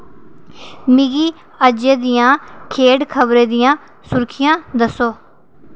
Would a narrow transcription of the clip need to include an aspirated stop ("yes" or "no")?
yes